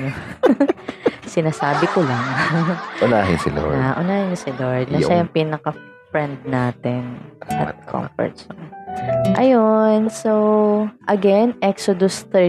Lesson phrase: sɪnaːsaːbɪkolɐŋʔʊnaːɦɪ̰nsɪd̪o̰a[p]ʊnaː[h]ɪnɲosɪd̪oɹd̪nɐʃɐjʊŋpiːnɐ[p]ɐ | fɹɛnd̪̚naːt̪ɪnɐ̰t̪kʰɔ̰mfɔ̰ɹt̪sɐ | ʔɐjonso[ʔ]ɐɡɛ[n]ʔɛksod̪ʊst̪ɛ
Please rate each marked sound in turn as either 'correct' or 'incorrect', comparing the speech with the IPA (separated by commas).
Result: incorrect, correct, incorrect, correct, correct